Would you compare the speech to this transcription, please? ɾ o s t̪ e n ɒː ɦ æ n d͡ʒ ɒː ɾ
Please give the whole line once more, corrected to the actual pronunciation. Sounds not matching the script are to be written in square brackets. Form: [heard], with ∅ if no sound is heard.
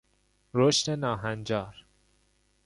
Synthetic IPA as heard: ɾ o [ʃ] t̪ e n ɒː ɦ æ n d͡ʒ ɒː ɾ